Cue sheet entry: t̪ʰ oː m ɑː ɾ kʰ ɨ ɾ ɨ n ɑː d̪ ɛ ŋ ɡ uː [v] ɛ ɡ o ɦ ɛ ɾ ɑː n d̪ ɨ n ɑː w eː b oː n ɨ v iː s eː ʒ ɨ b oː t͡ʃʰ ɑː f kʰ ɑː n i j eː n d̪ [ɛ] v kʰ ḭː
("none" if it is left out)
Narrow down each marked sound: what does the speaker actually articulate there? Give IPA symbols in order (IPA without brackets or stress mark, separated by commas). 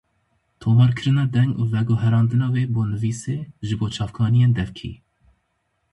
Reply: v, ɛ